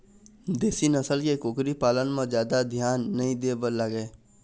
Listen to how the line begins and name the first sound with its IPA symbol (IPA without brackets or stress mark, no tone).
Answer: d̪